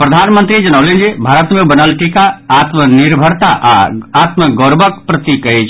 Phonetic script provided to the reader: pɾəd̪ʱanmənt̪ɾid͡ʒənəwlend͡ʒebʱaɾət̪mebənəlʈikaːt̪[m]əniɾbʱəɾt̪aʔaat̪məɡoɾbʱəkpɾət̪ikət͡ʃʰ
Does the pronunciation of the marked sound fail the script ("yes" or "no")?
no